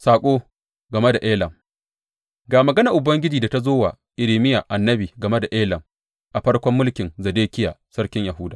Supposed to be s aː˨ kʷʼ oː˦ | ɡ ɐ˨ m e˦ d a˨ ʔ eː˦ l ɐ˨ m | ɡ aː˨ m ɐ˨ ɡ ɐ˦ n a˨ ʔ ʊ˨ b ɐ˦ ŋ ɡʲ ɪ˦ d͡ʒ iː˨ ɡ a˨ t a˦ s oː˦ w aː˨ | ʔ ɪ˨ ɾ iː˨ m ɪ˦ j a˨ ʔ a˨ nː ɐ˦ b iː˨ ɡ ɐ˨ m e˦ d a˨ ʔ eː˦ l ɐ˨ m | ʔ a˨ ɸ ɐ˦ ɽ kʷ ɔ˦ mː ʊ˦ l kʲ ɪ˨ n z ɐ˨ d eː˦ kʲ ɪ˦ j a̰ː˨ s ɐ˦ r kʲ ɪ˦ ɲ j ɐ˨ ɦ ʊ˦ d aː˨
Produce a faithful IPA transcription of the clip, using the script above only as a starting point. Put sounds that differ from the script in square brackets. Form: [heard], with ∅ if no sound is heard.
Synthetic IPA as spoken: s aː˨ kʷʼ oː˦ | ɡ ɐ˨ m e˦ d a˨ ʔ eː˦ l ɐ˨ m | ɡ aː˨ m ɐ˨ ɡ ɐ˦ n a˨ ʔ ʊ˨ b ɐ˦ ŋ ɡʲ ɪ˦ d͡ʒ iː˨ [d] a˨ t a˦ [z] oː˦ w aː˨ | ʔ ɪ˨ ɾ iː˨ m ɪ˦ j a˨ ʔ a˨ nː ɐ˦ b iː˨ ɡ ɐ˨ m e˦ d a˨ ʔ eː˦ l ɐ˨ m | ʔ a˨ ɸ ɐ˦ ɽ kʷ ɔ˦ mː ʊ˦ l kʲ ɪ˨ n z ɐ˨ d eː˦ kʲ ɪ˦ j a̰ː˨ s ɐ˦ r kʲ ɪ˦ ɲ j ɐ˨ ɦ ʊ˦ d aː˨